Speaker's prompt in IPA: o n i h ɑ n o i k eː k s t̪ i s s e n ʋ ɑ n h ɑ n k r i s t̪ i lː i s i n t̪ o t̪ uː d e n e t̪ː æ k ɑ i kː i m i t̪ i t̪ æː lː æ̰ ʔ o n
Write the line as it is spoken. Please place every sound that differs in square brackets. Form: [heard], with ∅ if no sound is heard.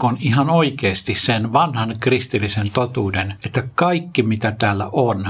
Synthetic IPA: o n i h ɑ n o i k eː [∅] s t̪ i s s e n ʋ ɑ n h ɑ n k r i s t̪ i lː i s [e] n t̪ o t̪ uː d e n e t̪ː æ k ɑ i kː i m i t̪ [æ] t̪ æː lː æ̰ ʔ o n